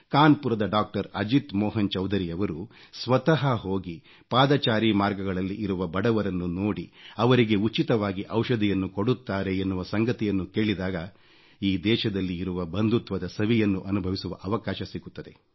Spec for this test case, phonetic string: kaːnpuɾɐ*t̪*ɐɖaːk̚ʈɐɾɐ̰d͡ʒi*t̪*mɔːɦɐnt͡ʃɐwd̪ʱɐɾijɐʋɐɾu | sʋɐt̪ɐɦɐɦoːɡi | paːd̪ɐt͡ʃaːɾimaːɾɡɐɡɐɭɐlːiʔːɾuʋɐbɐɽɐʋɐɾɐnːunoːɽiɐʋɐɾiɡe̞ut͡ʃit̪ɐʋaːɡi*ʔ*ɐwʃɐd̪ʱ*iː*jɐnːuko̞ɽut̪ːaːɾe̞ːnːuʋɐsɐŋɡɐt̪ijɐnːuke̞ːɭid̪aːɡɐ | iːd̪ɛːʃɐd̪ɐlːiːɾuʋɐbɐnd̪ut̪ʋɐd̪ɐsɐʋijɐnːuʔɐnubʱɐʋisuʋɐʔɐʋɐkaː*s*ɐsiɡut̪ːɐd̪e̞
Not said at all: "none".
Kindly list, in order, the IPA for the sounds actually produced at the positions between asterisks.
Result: d̪, t̪, ʔ, i, ʃ

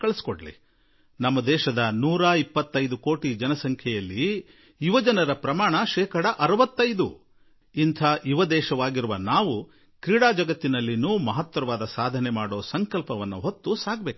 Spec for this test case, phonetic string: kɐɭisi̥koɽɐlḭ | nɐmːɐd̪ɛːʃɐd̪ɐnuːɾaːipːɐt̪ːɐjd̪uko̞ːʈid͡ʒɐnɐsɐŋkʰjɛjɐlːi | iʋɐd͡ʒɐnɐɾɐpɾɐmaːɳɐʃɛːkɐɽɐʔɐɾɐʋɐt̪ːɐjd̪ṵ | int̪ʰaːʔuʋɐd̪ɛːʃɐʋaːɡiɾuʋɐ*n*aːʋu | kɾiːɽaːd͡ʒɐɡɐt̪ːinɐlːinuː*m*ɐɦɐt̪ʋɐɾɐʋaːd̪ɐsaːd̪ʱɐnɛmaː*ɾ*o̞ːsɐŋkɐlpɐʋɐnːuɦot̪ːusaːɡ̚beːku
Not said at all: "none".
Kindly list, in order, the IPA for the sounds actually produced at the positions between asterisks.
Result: n, m, ɽ

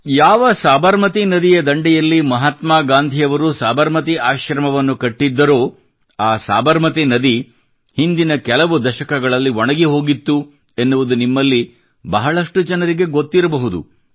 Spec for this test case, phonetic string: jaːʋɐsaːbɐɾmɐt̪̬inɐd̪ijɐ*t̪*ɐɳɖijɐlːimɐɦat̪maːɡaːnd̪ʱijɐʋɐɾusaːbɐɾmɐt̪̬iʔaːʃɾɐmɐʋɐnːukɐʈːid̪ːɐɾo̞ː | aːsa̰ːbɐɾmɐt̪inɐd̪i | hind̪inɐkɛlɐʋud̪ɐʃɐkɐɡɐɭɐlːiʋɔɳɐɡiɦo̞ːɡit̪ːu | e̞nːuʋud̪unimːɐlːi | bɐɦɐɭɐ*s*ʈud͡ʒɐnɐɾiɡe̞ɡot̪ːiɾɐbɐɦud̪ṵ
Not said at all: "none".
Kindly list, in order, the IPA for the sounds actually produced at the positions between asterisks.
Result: d̪, ʂ

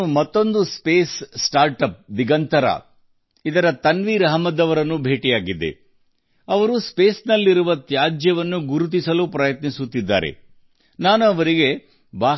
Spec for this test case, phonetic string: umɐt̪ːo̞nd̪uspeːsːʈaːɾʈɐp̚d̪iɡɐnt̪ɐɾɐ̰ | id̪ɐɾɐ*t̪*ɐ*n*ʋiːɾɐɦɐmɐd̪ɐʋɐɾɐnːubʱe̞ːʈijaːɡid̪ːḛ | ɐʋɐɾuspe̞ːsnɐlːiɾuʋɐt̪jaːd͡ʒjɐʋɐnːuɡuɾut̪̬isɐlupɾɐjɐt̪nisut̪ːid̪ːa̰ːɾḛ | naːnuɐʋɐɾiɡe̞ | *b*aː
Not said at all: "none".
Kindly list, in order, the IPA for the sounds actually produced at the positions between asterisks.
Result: t̪, n, b

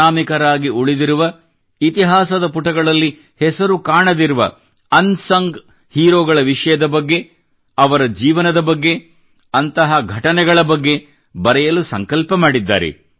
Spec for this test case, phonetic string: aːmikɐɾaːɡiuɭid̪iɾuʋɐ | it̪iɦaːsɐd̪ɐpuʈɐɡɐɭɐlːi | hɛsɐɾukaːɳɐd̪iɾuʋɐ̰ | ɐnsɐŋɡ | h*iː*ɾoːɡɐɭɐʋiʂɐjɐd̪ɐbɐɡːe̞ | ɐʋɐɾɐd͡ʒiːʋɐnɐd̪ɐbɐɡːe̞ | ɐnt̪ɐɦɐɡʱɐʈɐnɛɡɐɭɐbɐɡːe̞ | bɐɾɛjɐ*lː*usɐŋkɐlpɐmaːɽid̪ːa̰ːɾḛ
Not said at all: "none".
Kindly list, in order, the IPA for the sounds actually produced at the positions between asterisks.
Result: iː, l

